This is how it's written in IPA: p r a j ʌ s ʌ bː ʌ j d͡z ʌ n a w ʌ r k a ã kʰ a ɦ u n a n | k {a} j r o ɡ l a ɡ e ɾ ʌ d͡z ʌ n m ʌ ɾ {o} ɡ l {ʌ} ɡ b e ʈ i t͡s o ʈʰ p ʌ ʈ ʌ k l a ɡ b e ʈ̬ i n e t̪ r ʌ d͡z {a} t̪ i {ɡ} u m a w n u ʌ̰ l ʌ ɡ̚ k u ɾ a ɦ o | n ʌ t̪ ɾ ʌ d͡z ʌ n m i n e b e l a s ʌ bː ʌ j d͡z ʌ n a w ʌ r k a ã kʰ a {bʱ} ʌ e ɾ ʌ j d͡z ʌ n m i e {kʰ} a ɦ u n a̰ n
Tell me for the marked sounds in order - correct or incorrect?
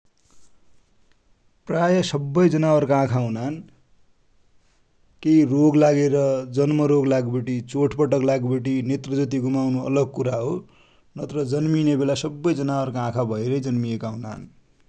incorrect, correct, incorrect, incorrect, correct, correct, incorrect

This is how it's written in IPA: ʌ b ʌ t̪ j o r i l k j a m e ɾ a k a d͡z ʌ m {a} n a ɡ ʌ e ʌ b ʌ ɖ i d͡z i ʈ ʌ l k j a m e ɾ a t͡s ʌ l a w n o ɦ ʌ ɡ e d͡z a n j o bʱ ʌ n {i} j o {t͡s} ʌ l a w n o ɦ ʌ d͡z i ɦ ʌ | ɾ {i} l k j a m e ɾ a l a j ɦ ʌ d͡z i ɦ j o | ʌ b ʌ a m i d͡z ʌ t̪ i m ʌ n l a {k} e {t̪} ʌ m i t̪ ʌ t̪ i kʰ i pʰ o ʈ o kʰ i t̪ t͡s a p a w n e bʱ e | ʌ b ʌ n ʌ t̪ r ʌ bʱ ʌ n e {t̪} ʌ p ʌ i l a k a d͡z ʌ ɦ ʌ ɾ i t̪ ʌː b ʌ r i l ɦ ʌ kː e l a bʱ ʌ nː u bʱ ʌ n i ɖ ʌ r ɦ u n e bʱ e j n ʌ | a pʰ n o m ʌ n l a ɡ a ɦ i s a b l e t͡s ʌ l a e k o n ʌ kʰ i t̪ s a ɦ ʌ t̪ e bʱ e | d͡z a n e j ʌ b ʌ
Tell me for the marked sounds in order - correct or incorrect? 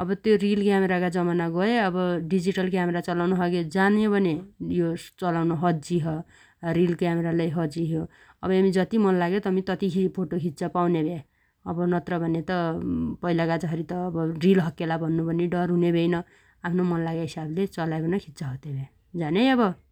correct, incorrect, correct, correct, incorrect, correct, correct

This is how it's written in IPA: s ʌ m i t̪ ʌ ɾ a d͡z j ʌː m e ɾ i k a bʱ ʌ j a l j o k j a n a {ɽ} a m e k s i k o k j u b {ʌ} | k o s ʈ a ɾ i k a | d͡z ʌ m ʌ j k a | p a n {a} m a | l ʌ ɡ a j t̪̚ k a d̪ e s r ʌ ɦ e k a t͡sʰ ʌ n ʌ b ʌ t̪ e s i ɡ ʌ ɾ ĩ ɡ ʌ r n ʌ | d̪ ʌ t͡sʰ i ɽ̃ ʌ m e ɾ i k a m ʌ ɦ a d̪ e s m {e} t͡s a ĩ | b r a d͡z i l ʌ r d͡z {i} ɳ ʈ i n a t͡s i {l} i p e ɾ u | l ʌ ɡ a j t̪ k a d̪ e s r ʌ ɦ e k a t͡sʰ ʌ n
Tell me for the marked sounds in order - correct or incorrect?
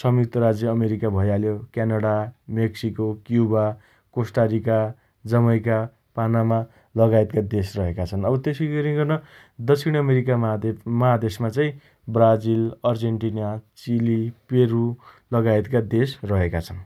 correct, incorrect, correct, incorrect, incorrect, correct

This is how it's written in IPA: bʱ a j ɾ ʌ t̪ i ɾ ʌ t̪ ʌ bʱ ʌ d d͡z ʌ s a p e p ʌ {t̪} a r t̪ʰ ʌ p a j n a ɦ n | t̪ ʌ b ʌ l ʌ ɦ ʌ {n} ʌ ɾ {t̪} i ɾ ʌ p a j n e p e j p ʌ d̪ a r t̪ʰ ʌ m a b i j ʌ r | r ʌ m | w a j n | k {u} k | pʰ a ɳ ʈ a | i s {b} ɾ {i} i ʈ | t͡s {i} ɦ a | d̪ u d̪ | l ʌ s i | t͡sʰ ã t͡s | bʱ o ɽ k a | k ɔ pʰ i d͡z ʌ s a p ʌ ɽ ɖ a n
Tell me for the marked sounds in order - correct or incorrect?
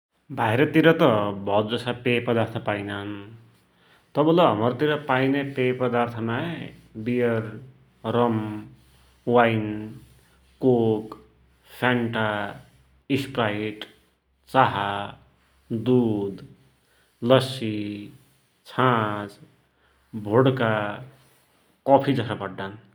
incorrect, incorrect, correct, incorrect, incorrect, incorrect, incorrect

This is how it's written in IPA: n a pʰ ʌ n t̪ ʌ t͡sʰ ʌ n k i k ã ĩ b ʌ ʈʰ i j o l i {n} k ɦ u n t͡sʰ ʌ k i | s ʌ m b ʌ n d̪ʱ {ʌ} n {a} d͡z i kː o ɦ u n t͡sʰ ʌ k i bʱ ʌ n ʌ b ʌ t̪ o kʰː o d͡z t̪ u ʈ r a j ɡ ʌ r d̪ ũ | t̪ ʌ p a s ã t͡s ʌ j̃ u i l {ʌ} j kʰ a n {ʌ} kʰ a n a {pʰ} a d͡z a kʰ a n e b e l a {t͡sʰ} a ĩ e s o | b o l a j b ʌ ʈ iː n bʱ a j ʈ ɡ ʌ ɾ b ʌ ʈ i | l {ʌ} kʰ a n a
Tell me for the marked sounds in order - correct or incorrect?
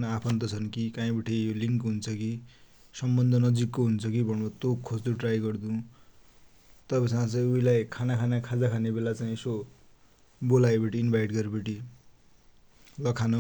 incorrect, correct, incorrect, incorrect, incorrect, incorrect, incorrect, correct

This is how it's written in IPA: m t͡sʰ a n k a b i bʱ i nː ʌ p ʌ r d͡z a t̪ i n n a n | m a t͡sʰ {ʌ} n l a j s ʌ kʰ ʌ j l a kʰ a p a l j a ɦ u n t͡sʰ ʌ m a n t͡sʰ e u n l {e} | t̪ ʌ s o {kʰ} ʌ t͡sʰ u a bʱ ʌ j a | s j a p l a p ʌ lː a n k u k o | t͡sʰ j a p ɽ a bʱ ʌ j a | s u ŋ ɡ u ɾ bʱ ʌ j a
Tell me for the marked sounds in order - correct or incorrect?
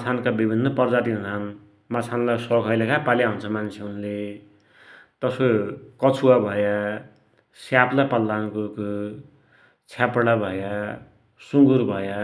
incorrect, correct, incorrect

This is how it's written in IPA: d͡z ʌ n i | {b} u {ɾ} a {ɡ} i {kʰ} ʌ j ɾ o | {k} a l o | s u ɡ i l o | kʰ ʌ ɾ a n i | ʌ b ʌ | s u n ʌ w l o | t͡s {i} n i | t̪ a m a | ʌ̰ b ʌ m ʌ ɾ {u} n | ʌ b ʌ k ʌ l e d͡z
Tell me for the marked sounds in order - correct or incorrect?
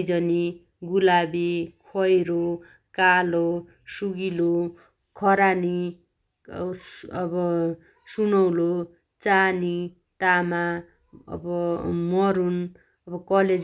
incorrect, incorrect, incorrect, correct, correct, incorrect, correct

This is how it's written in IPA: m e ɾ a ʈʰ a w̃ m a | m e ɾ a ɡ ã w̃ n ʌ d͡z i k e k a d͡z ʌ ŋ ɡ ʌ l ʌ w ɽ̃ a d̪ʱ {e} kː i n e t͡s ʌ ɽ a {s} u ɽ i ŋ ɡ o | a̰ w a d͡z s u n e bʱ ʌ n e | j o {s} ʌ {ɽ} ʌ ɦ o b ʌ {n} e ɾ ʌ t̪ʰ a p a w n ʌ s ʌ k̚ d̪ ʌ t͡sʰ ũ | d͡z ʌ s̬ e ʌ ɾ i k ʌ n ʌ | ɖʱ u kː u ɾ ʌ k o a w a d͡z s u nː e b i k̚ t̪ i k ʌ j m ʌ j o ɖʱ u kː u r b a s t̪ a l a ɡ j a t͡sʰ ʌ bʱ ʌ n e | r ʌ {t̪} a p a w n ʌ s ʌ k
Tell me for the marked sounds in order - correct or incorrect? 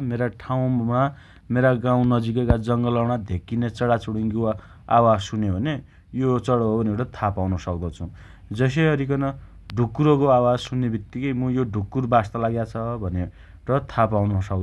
correct, incorrect, incorrect, correct, correct, incorrect

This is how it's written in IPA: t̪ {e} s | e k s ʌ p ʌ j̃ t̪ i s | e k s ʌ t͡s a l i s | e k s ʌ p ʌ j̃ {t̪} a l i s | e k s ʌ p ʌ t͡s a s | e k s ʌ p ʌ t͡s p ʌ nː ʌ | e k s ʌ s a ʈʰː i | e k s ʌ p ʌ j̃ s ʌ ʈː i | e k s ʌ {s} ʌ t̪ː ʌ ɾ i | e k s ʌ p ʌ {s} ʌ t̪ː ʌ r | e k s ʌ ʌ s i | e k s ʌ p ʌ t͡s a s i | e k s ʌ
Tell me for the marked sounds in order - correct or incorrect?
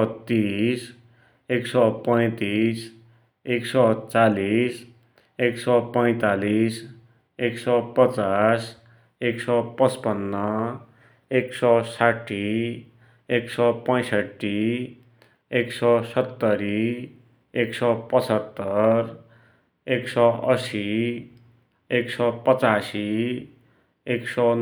incorrect, correct, correct, incorrect

